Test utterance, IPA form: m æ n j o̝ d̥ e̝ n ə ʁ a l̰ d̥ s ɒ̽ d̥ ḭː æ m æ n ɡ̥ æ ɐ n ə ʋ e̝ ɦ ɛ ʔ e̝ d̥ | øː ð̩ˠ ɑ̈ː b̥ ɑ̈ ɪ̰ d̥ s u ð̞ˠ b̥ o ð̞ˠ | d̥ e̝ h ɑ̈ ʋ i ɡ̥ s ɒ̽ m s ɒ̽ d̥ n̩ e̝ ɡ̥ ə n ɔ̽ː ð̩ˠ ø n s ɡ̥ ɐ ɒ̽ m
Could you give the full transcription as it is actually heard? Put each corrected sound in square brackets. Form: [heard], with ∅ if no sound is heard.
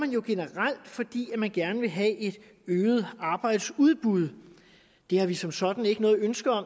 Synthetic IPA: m æ n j o̝ [ɡ̥] e̝ n ə ʁ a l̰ d̥ [f] ɒ̽ d̥ ḭː æ m æ n ɡ̥ æ ɐ n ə ʋ e̝ ɦ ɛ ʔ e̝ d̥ | øː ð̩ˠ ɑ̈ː b̥ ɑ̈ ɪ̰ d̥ s u ð̞ˠ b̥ [u] ð̞ˠ | d̥ e̝ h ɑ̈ ʋ i [∅] s ɒ̽ m s ɒ̽ d̥ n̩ e̝ ɡ̥ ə n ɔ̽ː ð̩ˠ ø n s ɡ̥ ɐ ɒ̽ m